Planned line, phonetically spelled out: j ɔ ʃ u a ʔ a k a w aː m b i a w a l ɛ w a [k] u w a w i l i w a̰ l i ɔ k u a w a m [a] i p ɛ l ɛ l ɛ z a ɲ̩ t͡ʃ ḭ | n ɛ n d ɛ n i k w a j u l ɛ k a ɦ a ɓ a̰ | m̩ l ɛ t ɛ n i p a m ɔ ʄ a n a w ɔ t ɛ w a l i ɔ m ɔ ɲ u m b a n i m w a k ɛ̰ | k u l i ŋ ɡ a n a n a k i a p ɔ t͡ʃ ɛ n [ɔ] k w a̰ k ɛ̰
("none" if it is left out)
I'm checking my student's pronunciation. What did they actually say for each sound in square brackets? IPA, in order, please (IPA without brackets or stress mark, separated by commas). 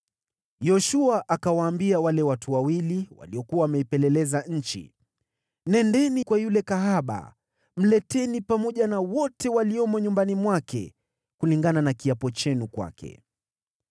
t, ɛ, u